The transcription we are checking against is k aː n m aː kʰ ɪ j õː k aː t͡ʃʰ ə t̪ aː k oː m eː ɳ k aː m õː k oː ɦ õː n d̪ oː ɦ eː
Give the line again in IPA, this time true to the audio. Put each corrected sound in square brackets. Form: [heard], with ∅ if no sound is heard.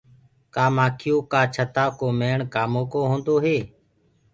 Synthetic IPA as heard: k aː [∅] m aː kʰ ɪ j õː k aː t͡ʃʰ ə t̪ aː k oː m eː ɳ k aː m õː k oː ɦ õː n d̪ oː ɦ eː